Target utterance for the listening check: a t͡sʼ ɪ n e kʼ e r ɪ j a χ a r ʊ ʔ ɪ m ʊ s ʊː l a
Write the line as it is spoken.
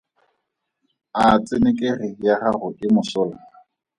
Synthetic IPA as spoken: a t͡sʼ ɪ n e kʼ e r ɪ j a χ a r ʊ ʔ ɪ m ʊ s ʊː l a